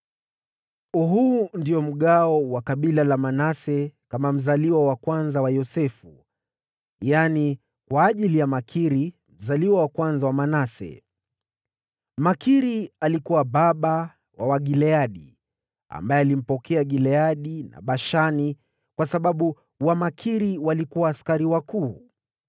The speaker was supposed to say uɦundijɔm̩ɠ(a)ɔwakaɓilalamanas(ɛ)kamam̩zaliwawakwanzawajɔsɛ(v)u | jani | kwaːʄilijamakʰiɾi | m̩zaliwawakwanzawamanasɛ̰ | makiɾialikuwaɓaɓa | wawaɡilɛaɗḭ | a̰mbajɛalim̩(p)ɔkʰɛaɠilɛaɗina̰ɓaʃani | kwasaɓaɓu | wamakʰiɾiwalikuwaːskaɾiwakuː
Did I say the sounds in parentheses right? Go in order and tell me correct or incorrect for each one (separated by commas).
correct, correct, incorrect, correct